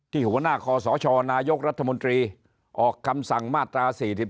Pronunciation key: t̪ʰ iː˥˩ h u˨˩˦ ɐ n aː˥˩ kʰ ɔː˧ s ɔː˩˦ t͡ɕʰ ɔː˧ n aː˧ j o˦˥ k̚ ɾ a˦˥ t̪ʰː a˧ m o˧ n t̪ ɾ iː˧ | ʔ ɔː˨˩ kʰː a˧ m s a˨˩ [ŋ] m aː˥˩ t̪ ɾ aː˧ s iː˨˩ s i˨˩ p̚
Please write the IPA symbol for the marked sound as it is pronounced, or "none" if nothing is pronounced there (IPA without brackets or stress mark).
ŋ